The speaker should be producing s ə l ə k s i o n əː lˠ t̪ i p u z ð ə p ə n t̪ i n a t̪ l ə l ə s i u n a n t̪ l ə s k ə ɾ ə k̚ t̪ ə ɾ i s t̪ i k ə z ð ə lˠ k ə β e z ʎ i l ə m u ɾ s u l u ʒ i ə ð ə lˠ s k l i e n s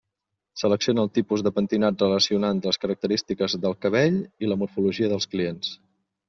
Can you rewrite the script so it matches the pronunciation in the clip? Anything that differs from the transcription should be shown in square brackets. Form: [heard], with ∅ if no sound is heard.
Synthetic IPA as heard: s ə l ə k s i o n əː lˠ t̪ i p u z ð ə p ə n t̪ i n a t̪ [r] ə l ə s i u n a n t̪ l ə s k ə ɾ ə k̚ t̪ ə ɾ i s t̪ i k ə z ð ə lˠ k ə β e [∅] ʎ i l ə m u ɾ [f] u l u ʒ i ə ð ə lˠ s k l i e n s